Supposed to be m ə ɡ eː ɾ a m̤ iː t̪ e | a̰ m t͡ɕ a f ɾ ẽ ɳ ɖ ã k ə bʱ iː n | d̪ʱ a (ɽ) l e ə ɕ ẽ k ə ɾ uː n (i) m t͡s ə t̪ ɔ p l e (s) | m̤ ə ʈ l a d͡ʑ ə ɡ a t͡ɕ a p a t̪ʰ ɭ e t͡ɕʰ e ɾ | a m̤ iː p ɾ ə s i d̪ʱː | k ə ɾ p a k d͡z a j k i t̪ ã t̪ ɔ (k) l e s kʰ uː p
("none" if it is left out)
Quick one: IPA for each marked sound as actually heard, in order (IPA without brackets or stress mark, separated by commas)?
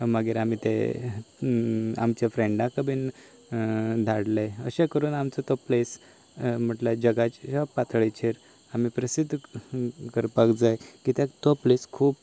ɽ, a, s, p